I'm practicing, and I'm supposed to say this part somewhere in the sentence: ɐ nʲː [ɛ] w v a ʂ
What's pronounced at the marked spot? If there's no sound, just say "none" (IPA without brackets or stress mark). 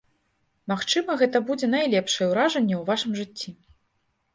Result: ɛ